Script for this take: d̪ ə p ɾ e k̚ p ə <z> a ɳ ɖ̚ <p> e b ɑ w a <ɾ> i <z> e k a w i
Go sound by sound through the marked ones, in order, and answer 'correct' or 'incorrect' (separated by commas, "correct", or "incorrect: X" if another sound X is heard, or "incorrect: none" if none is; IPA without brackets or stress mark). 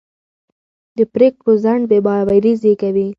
correct, incorrect: b, correct, correct